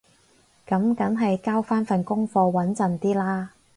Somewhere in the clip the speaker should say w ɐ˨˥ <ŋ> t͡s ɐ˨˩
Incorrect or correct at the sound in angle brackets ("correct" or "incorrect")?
incorrect